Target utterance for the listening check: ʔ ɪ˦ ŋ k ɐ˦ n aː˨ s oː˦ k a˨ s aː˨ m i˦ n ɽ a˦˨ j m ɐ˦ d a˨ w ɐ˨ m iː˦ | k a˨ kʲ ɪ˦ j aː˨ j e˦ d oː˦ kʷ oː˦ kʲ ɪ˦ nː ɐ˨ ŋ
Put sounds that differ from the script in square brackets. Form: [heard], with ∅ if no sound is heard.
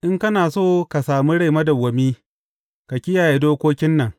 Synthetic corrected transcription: ʔ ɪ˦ ŋ k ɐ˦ n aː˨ s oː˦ k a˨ s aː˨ m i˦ [∅] ɽ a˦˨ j m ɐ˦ d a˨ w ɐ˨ m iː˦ | k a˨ kʲ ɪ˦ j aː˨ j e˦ d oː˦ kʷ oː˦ kʲ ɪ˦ nː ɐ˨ ŋ